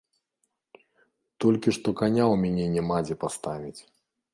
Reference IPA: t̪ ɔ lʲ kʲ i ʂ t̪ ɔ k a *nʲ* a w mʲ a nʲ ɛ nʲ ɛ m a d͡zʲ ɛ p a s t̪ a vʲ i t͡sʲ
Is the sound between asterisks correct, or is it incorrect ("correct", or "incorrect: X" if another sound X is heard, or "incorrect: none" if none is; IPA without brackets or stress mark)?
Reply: correct